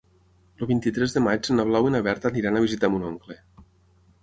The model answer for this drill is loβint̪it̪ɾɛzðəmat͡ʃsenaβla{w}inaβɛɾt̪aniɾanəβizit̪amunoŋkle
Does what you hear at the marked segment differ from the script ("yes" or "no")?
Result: no